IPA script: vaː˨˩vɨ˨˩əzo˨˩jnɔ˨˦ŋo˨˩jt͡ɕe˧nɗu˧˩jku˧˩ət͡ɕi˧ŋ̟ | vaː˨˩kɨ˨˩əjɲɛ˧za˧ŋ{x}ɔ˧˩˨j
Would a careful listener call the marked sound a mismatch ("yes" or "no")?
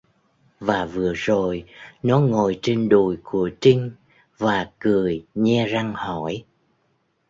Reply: yes